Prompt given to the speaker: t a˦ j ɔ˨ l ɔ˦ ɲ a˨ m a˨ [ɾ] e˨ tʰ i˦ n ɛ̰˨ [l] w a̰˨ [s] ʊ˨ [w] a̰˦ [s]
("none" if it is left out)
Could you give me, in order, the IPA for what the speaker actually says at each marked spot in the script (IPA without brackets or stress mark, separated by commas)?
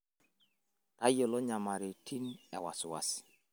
ɾ, none, s, w, s